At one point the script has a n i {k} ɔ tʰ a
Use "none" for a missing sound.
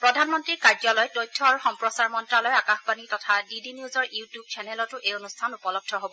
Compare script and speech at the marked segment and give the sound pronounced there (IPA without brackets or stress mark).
t